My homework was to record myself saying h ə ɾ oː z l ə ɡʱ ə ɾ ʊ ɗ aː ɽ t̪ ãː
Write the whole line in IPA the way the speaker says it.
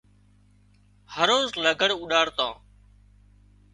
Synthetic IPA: h ə ɾ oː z l ə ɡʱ ə ɽ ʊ ɗ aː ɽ t̪ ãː